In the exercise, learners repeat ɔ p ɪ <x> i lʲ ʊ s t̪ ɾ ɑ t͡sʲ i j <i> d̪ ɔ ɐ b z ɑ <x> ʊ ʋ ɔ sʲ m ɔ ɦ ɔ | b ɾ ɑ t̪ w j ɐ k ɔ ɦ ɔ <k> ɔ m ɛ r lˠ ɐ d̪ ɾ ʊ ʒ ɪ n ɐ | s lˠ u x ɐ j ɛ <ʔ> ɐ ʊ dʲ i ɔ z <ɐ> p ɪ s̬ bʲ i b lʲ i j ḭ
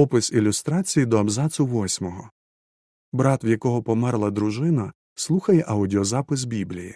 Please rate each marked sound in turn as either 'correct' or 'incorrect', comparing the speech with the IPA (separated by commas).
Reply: incorrect, correct, incorrect, incorrect, correct, incorrect